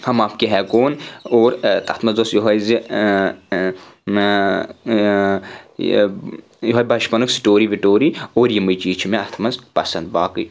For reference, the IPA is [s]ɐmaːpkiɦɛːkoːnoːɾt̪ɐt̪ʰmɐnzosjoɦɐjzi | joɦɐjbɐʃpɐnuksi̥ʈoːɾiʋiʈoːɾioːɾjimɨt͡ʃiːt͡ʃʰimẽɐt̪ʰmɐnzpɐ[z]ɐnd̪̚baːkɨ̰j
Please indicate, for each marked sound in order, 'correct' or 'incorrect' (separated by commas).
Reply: incorrect, incorrect